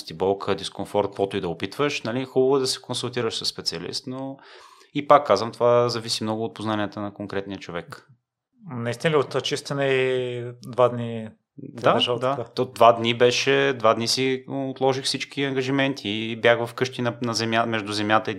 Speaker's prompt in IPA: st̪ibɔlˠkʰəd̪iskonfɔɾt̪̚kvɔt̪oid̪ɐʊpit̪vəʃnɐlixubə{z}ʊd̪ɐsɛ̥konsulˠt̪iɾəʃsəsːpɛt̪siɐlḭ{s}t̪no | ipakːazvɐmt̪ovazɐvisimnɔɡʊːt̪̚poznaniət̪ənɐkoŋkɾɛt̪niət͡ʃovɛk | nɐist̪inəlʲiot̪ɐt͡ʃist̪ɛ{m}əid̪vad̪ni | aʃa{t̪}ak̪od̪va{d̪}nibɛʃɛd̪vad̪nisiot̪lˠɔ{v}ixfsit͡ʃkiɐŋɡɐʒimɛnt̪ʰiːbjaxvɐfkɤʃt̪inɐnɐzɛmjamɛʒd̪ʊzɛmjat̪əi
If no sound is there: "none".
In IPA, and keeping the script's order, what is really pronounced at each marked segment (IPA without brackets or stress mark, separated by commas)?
v, s, n, d̪, d̪, ʒ